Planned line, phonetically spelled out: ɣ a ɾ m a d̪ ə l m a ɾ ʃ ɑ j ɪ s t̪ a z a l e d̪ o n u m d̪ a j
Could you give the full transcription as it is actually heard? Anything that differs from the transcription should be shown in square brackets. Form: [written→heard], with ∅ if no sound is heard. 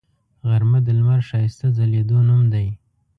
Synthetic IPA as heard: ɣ a ɾ m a d̪ ə l m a ɾ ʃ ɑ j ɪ s t̪ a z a l e d̪ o n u m d̪ a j